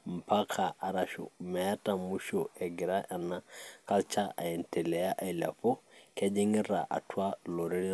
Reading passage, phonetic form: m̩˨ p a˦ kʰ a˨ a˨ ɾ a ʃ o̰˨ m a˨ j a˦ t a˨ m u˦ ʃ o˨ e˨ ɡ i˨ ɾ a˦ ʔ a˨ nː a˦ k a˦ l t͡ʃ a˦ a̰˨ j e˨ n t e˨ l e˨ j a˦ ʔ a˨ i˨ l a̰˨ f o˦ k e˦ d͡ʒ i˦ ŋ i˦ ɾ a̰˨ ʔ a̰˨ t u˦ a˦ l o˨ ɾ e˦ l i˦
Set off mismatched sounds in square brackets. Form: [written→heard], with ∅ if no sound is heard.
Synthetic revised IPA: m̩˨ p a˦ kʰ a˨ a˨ ɾ a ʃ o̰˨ m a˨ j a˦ t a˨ m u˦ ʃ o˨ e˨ ɡ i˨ ɾ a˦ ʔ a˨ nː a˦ k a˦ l t͡ʃ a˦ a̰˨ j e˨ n t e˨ l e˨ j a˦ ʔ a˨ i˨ l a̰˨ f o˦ k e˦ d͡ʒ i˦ ŋ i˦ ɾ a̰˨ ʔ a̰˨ t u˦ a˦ l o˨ ɾ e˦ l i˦